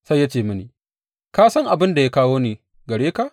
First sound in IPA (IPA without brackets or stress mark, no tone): s